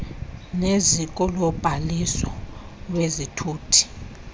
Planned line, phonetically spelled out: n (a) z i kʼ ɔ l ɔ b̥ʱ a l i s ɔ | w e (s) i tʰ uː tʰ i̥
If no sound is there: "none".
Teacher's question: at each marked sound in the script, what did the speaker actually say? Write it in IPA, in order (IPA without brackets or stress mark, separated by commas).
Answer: e, z